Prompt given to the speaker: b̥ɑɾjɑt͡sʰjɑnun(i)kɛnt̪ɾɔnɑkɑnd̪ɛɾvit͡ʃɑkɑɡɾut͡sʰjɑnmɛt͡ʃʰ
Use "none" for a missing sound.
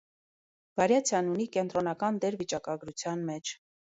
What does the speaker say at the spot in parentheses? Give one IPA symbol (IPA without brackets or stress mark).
i